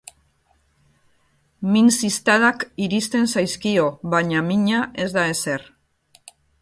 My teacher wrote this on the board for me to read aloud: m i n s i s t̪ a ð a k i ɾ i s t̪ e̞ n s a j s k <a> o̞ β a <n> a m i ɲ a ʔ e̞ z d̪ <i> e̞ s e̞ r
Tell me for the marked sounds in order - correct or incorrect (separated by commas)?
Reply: incorrect, incorrect, incorrect